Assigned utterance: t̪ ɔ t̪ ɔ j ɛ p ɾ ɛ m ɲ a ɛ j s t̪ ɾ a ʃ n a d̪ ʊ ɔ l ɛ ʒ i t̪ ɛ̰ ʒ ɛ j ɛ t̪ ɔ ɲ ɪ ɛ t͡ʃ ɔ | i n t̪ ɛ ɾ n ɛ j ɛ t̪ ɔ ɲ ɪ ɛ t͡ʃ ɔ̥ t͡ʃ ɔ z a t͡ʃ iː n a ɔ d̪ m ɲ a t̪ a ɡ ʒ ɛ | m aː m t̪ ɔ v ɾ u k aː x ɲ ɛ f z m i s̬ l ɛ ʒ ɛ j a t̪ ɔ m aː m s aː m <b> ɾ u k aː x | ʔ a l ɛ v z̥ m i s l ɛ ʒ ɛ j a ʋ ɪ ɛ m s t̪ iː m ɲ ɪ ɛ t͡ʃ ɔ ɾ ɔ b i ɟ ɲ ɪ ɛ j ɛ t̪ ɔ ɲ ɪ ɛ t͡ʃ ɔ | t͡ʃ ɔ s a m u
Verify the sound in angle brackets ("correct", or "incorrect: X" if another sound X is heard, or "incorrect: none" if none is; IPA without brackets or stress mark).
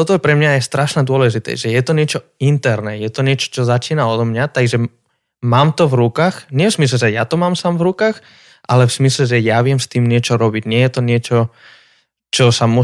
incorrect: v